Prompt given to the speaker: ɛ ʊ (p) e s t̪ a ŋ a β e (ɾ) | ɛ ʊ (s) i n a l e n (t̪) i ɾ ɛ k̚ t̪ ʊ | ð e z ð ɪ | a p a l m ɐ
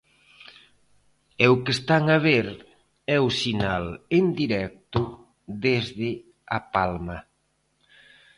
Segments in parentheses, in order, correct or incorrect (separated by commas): incorrect, correct, correct, incorrect